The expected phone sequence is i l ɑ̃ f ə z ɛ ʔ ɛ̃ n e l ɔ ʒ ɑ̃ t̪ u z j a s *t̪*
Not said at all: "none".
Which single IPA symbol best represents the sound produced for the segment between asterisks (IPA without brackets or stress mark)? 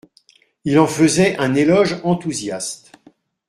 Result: t̪